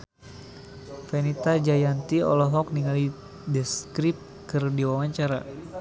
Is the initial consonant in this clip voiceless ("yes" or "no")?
yes